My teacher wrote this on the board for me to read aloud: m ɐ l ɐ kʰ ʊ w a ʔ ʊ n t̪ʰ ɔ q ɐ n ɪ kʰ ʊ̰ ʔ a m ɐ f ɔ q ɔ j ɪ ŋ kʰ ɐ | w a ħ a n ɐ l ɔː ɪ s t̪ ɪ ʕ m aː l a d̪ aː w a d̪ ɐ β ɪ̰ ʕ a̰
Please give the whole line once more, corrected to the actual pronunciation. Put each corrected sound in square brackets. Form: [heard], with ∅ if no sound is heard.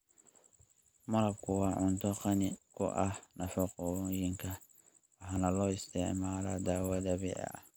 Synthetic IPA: m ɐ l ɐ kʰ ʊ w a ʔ ʊ n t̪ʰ ɔ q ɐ n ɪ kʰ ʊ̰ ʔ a [n] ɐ f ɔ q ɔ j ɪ ŋ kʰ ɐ | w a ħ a n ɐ l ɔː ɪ s t̪ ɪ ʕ m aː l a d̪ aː w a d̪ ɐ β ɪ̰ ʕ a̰